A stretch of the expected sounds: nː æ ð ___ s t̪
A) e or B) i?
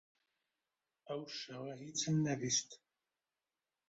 B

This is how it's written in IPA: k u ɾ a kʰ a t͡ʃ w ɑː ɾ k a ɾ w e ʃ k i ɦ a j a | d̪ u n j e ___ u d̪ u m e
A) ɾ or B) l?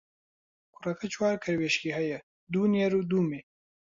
A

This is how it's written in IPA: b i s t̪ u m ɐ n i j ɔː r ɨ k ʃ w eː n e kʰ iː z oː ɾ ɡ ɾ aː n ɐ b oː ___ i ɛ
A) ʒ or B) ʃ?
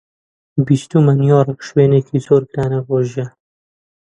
A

